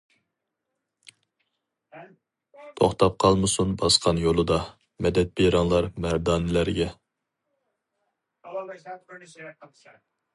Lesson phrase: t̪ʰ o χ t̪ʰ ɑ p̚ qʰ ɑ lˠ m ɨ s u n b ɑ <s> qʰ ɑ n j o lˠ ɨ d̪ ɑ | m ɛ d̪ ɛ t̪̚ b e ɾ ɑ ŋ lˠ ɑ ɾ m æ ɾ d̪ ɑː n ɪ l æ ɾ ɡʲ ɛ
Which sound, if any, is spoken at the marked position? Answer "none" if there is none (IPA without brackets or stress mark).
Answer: s